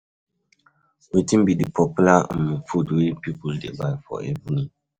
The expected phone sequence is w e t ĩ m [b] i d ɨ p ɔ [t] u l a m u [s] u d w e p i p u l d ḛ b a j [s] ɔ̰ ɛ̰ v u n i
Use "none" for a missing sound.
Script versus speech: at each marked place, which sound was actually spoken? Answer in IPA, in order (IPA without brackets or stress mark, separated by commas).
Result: b, p, f, f